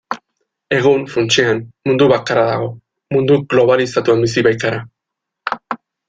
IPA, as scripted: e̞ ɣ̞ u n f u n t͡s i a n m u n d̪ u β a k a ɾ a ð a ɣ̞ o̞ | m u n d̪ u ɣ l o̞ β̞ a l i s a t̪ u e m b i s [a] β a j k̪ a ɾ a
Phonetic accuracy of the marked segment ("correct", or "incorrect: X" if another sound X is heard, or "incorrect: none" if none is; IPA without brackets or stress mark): incorrect: i